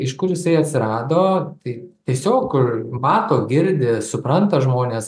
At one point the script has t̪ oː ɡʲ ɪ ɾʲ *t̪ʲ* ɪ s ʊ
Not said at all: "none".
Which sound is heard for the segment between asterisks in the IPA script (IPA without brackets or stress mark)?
d̪ʲ